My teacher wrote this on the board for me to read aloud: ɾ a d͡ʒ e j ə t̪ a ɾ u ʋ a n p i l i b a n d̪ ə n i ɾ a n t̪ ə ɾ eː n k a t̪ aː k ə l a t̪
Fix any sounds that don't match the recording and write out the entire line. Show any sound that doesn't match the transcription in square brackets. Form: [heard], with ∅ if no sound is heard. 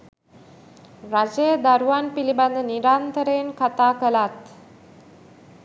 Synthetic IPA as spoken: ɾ a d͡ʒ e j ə [d̪] a ɾ u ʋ a n p i l i b a n d̪ ə n i ɾ a n t̪ ə ɾ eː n k a t̪ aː k ə l a t̪